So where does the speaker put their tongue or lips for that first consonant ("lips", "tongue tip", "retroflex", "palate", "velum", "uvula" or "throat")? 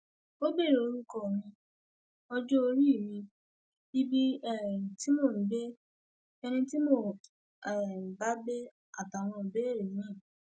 lips